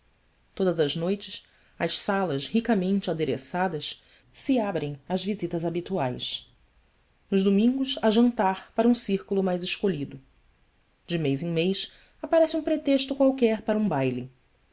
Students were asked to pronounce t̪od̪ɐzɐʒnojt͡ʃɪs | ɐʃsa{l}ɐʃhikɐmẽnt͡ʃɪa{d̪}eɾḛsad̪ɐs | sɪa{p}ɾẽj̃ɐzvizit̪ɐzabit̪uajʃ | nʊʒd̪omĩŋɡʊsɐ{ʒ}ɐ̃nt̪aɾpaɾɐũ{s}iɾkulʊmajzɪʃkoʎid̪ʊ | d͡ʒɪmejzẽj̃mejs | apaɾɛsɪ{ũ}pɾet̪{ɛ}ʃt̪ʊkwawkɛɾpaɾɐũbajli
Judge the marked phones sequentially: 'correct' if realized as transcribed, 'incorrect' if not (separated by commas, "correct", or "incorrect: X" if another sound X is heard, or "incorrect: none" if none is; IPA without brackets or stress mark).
correct, correct, incorrect: b, correct, correct, correct, incorrect: e